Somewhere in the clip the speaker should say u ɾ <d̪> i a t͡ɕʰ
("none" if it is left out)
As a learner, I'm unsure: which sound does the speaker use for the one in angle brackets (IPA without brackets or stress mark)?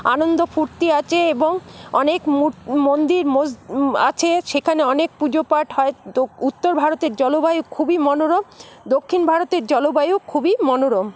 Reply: t̪